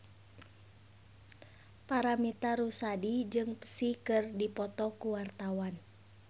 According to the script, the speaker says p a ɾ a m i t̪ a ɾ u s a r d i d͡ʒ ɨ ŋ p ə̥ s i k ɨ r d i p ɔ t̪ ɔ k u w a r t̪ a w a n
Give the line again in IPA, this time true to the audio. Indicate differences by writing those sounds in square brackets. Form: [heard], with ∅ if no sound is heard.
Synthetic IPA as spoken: p a ɾ a m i t̪ a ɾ u s a [∅] d i d͡ʒ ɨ ŋ p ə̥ s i k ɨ r d i p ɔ t̪ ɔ k u w a r t̪ a w a n